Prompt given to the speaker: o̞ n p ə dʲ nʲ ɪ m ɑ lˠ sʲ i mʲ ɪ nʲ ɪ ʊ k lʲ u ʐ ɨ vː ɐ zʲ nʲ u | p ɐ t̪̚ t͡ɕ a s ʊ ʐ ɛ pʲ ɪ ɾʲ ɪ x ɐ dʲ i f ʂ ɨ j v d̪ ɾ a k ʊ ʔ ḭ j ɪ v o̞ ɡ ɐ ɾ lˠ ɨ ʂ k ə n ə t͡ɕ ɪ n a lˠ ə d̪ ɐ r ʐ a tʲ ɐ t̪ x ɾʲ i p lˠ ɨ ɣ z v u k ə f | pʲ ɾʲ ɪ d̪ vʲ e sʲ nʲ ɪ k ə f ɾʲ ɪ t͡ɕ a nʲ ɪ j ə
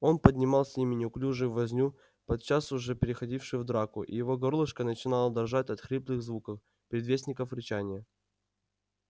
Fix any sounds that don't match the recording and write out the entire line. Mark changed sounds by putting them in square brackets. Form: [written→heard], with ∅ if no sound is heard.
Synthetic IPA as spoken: o̞ n p ə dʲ nʲ ɪ m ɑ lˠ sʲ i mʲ ɪ nʲ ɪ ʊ k lʲ u ʐ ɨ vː ɐ zʲ nʲ u | p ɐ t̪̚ t͡ɕ a s ʊ ʐ ɛ pʲ ɪ ɾʲ ɪ x ɐ dʲ i f ʂ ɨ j v d̪ ɾ a k ʊ ʔ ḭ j ɪ v o̞ ɡ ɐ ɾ lˠ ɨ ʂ k ə n ə t͡ɕ ɪ n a lˠ ə d̪ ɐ r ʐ a tʲ ɐ t̪ x ɾʲ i p lˠ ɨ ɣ z v u k ə f | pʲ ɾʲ ɪ d̪ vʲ e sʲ nʲ ɪ k ə f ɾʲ ɪ t͡ɕ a nʲ ɪ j ə